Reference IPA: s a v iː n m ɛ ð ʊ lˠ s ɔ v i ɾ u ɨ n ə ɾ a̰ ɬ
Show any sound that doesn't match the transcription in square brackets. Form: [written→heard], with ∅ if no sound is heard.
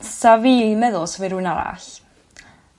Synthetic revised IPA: s a v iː [n→∅] m ɛ ð ʊ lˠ s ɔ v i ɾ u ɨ n [ə→a] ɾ a̰ ɬ